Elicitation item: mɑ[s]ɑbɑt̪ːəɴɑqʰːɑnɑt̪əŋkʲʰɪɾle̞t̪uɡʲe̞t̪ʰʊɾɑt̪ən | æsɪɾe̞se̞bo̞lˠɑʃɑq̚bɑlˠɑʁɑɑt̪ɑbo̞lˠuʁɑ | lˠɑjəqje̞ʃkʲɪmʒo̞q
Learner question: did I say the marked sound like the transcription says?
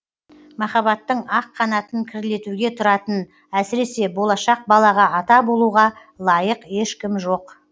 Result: no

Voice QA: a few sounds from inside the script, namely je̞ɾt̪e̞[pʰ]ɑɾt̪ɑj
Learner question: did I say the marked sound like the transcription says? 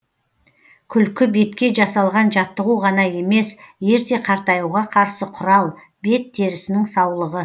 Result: no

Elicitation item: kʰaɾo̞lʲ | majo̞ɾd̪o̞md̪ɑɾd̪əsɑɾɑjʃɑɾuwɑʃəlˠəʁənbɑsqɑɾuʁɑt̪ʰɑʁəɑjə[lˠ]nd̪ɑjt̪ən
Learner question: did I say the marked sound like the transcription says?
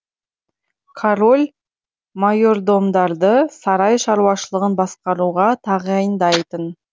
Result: no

